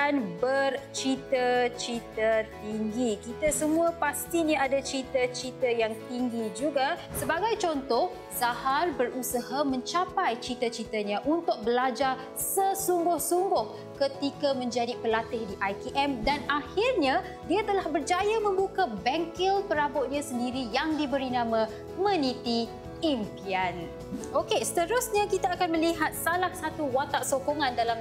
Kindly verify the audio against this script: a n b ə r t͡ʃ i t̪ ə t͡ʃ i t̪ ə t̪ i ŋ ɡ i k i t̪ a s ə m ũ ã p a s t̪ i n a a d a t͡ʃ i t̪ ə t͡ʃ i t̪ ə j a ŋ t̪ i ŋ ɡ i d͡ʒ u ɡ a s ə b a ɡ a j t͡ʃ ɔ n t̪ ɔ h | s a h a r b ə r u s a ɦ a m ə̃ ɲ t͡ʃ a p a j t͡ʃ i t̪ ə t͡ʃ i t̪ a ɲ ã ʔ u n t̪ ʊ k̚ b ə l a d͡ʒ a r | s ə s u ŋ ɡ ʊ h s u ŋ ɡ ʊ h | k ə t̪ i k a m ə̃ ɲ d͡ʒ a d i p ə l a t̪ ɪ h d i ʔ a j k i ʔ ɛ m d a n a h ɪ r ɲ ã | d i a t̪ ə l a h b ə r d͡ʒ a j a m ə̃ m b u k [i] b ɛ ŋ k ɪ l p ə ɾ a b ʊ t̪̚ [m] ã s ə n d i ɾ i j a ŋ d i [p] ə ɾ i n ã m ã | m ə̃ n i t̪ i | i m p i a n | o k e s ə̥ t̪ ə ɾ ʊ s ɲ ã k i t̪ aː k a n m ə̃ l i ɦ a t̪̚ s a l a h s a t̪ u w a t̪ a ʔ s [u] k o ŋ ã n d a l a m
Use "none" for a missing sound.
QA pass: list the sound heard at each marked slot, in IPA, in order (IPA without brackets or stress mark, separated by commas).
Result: a, ɲ, b, o